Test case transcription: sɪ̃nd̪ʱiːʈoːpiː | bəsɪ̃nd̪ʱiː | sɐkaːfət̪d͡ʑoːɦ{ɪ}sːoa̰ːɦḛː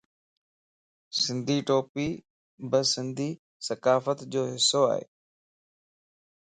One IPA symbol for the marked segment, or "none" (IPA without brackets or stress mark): ɪ